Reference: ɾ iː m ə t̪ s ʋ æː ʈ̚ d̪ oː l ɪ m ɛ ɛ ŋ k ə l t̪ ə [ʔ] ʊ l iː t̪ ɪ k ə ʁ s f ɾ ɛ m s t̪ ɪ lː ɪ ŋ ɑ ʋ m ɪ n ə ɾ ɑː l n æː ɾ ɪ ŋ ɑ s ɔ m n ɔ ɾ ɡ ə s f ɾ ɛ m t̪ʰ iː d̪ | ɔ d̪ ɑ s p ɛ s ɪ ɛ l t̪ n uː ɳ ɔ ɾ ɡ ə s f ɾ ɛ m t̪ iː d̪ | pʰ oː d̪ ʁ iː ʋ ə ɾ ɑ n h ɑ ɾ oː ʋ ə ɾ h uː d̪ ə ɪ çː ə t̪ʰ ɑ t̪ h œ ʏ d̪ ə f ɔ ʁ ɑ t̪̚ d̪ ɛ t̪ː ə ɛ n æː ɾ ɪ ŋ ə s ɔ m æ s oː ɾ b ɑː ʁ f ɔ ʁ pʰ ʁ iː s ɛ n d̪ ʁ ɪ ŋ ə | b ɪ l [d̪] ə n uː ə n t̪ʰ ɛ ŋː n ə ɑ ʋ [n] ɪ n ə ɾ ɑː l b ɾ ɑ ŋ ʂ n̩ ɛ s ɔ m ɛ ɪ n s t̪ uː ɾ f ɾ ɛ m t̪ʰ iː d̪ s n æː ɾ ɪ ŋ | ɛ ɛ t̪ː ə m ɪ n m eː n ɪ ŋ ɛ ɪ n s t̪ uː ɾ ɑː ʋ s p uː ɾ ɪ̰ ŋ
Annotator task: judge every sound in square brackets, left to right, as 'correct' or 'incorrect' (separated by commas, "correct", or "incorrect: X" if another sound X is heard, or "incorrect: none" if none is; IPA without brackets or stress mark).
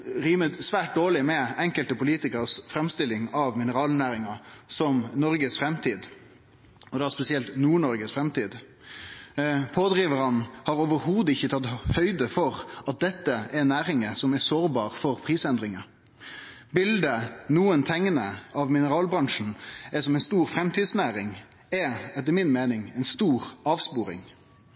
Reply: incorrect: p, correct, incorrect: m